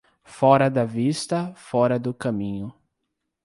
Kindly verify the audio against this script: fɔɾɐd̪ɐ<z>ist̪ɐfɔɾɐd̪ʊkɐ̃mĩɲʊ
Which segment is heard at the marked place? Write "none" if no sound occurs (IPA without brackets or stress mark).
v